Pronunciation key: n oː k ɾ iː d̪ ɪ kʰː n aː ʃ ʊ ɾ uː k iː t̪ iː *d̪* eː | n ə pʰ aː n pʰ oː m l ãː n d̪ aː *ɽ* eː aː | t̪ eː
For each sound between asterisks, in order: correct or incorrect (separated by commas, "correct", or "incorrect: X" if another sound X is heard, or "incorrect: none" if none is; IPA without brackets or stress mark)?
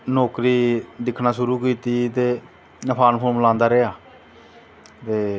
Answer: incorrect: t̪, incorrect: ɾ